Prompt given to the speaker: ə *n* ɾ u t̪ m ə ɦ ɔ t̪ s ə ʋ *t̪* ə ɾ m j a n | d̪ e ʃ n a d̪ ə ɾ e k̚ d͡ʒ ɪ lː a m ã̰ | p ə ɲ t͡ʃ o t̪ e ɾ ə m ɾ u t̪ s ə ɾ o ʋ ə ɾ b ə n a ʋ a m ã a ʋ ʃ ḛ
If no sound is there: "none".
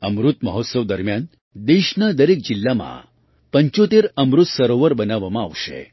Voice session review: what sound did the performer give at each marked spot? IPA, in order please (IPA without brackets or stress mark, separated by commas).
m, d̪